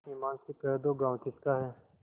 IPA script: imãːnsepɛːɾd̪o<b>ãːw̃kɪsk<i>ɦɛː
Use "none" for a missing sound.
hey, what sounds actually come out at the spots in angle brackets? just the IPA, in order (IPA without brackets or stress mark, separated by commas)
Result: ɡ, a